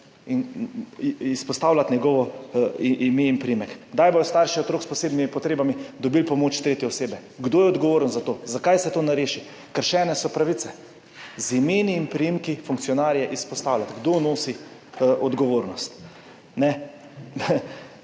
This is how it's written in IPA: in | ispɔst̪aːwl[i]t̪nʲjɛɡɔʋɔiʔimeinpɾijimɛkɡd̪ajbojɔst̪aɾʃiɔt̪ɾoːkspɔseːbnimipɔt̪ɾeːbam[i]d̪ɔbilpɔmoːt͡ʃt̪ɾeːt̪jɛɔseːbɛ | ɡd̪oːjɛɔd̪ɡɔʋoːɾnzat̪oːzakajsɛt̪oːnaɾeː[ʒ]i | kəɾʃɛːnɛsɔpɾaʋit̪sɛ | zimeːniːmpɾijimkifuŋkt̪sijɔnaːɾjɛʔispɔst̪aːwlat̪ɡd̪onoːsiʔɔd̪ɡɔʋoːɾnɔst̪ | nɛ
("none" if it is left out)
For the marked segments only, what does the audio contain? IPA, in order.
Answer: a, i, ʃ

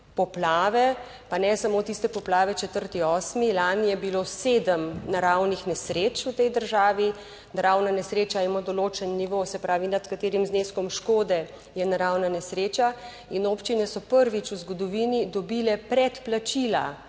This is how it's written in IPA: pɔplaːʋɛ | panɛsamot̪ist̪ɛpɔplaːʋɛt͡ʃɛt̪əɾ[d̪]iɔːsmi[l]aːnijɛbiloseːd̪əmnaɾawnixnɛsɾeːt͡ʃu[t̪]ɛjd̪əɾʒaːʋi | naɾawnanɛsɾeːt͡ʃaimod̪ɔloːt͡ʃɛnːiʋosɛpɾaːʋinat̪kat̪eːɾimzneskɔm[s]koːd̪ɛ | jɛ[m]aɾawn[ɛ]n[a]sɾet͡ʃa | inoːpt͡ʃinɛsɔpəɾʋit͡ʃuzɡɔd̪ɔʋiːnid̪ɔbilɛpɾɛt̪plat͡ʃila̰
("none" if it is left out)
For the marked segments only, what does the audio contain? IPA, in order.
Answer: t̪, l, t̪, ʃ, n, a, ɛ

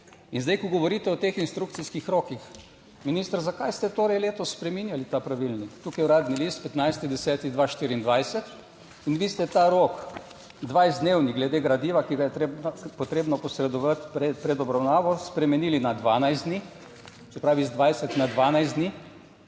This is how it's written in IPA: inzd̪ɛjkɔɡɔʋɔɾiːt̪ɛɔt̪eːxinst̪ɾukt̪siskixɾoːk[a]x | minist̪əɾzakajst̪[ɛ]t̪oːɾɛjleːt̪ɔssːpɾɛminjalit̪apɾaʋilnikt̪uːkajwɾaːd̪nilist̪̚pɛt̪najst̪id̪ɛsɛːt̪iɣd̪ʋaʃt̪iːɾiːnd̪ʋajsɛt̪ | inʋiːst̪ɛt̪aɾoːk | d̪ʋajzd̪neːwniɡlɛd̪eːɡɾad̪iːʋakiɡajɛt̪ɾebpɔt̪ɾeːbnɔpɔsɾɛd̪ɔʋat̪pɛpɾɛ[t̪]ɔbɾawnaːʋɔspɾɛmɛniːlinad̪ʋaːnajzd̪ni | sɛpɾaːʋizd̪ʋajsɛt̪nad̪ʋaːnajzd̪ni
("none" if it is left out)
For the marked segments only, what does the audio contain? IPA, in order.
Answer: i, ɛ, d̪

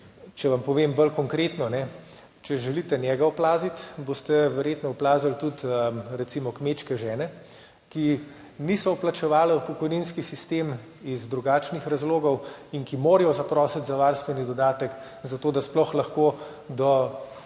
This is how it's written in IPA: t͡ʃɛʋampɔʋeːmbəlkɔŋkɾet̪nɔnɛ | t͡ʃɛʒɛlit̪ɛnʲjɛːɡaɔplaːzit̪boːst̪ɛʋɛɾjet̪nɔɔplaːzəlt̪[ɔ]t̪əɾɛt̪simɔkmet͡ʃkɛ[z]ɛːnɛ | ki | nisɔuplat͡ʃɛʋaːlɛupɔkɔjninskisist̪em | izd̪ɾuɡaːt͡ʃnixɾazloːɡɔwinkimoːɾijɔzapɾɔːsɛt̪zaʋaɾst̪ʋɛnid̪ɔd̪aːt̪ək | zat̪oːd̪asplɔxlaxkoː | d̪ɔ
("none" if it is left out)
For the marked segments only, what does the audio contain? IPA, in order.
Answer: u, ʒ

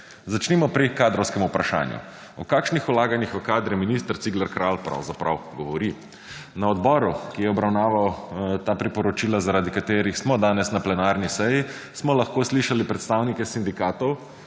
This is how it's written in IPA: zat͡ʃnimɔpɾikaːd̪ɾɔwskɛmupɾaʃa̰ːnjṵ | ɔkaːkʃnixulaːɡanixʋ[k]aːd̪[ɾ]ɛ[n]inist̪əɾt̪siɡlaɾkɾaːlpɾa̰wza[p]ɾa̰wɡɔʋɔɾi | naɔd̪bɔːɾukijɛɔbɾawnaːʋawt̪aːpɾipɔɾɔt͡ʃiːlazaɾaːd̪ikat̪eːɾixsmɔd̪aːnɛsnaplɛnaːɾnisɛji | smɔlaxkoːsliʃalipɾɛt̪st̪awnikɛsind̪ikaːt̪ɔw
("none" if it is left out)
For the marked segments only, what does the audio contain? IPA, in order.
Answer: k, ɾ, m, p

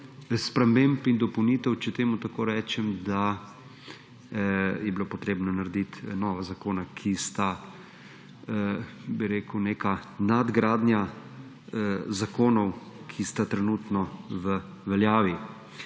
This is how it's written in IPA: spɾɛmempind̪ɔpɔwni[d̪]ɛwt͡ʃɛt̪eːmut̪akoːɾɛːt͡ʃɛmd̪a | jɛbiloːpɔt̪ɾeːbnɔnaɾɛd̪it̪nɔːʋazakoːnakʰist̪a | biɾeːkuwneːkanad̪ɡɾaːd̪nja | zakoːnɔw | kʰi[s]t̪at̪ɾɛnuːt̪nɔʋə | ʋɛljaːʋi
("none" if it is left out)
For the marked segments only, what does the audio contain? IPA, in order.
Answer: t̪, s

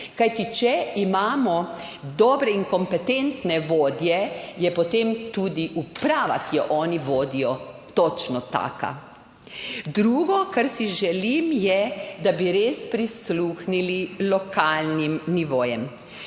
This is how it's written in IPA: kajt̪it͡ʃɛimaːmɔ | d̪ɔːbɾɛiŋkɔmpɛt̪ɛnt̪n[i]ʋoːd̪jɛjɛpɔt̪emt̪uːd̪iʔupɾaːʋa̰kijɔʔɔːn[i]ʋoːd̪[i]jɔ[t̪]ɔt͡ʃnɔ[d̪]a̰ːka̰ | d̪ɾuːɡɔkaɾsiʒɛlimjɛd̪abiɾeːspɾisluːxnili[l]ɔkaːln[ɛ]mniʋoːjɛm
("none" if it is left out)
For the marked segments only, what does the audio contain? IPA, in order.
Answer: ɛ, i, i, t̪, t̪, l, i

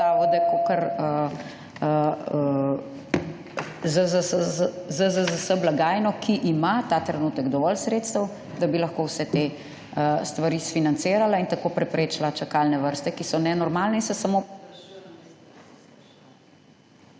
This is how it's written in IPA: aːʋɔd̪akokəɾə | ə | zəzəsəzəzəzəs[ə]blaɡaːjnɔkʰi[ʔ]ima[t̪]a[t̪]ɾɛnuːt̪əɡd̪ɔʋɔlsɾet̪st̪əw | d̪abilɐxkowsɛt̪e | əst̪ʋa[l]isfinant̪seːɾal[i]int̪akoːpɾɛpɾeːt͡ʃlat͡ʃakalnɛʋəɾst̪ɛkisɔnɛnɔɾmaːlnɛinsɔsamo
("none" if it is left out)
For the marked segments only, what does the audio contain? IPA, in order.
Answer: ə, ʔ, t̪, t̪, ɾ, a

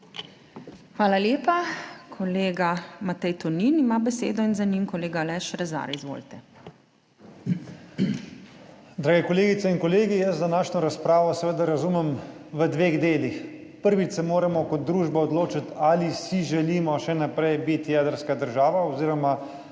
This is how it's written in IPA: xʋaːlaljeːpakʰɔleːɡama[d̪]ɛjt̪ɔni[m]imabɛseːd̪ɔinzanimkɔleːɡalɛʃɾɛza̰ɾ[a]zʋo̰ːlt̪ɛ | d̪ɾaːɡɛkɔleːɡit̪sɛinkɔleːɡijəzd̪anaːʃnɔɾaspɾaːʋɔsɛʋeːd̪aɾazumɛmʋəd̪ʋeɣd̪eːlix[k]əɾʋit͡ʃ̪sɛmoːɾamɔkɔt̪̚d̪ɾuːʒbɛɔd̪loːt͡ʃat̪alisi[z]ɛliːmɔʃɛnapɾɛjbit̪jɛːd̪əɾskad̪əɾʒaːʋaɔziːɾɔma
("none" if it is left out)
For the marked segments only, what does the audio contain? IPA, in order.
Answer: t̪, n, i, p, ʒ

